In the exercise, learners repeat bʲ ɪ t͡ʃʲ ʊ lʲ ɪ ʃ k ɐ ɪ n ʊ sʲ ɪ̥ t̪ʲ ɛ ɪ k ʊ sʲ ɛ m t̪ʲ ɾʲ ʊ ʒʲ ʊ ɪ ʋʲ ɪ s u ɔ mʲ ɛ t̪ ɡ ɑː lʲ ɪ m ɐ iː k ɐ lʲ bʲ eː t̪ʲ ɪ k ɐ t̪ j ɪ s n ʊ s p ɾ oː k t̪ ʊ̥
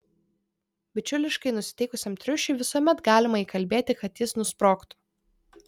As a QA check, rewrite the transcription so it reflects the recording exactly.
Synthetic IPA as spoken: bʲ ɪ t͡ʃʲ ʊ lʲ ɪ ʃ k ɐ ɪ n ʊ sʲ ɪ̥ t̪ʲ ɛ ɪ k ʊ sʲ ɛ m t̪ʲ ɾʲ ʊ ʃʲ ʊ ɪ ʋʲ ɪ s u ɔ mʲ ɛ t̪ ɡ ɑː lʲ ɪ m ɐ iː k ɐ lʲ bʲ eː t̪ʲ ɪ k ɐ t̪ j ɪ s n ʊ s p ɾ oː k t̪ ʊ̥